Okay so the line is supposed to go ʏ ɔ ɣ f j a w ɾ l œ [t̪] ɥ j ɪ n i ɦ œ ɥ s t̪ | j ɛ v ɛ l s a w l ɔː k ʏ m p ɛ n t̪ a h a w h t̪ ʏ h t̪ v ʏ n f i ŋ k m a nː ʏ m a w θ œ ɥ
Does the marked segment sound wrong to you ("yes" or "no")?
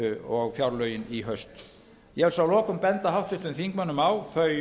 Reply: yes